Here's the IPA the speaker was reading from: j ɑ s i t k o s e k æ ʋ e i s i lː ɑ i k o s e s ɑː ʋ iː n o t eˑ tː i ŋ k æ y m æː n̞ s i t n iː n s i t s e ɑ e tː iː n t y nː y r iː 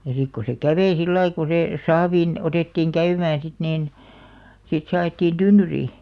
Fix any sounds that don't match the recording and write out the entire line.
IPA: j ɑ s i k k o s e k æ ʋ e i s i lː ɑ i k o s e s ɑː ʋ iː n o t eˑ tː iː ŋ k æ y m æː n̞ s i t n iː n s i t s e ɑ e tː iː n t y nː y r iː